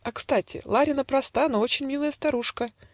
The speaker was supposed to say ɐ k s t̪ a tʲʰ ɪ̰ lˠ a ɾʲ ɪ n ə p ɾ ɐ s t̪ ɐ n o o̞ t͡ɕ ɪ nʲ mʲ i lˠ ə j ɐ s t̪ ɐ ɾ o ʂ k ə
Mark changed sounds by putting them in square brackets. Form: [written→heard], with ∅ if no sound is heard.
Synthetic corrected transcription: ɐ k s t̪ a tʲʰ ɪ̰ lˠ a ɾʲ ɪ n ə p ɾ ɐ s t̪ [ɐ→a] n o o̞ t͡ɕ ɪ nʲ mʲ i lˠ ə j [ɐ→ə] s t̪ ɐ ɾ [o→u] ʂ k ə